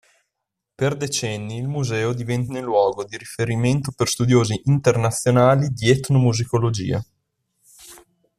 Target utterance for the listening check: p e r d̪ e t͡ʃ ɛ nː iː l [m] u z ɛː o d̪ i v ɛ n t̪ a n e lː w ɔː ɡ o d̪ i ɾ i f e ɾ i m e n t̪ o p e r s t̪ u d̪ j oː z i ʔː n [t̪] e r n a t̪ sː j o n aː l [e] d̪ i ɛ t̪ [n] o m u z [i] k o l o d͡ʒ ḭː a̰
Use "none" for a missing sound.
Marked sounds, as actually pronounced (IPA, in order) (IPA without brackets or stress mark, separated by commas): m, t̪, i, n, i